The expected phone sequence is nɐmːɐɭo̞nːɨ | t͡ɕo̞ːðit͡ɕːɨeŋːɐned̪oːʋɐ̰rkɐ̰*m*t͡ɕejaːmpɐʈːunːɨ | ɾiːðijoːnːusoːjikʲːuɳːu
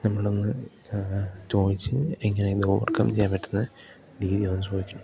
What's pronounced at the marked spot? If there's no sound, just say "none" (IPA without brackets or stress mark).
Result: m